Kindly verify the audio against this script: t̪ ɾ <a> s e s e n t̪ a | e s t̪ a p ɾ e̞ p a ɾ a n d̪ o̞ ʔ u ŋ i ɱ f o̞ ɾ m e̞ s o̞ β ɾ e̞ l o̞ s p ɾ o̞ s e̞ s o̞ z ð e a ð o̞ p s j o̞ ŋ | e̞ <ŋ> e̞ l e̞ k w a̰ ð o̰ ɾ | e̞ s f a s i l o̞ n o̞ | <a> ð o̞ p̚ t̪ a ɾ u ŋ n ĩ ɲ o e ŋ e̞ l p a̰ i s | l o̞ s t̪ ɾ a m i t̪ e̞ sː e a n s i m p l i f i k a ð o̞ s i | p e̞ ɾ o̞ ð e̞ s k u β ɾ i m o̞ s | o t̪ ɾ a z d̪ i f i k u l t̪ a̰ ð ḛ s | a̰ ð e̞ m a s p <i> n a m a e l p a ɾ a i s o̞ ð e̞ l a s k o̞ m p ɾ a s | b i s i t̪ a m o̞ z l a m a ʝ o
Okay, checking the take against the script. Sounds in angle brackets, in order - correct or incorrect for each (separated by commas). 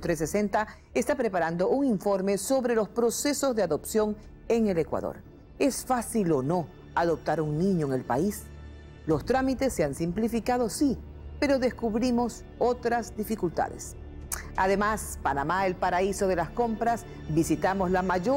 incorrect, correct, correct, incorrect